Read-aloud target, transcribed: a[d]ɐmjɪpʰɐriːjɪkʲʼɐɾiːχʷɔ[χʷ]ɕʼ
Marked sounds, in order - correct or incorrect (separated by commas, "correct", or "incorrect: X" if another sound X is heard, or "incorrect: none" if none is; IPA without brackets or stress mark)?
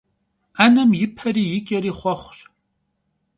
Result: incorrect: n, correct